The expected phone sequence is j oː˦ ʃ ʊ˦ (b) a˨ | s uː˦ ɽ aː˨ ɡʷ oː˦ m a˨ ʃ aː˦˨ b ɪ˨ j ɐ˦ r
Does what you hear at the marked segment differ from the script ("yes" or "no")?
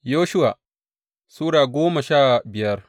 yes